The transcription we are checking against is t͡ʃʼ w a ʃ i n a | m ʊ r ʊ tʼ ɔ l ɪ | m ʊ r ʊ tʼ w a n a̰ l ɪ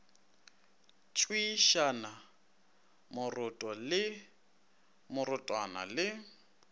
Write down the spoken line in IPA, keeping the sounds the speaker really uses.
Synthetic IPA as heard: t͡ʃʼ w i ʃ a n a | m ʊ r ʊ tʼ ɔ l ɪ | m ʊ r ʊ tʼ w a n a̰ l ɪ